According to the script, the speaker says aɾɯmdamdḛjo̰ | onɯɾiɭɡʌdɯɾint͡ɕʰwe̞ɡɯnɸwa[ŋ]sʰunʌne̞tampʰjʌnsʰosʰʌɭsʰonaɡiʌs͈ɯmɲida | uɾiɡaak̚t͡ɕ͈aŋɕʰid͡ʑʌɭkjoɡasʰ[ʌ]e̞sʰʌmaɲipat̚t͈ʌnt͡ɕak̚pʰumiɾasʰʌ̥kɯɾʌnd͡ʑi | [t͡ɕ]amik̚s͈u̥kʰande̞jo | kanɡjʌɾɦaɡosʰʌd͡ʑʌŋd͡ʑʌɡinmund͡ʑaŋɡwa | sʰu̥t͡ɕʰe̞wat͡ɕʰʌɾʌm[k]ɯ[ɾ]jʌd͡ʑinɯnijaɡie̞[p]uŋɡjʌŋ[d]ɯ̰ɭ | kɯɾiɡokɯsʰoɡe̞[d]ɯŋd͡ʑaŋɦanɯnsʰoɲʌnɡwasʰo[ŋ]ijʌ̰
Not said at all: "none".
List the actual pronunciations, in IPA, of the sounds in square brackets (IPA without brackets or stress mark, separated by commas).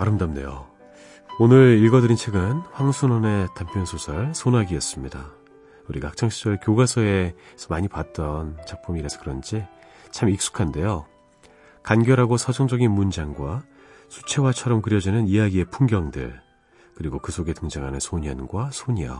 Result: ŋ, ʌ, t͡ɕʰ, k, ɾ, pʰ, d, t, ɲ